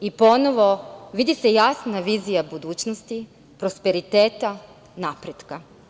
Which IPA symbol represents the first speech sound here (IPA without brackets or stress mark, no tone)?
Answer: i